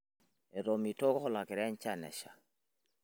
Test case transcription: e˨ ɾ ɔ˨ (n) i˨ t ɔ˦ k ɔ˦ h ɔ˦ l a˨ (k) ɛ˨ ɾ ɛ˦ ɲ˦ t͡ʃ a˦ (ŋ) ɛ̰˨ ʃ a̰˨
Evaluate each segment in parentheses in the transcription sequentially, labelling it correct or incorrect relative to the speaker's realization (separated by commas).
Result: incorrect, correct, incorrect